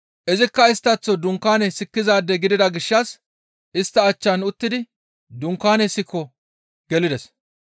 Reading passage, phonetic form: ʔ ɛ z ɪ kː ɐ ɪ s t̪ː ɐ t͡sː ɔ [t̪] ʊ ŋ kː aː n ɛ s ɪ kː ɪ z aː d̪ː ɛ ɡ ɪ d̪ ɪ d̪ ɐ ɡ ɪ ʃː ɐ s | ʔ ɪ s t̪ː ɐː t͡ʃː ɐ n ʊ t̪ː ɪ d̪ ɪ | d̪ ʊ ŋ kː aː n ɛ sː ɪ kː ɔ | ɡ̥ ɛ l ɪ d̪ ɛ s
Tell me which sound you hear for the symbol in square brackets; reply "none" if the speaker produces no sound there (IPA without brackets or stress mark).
d̪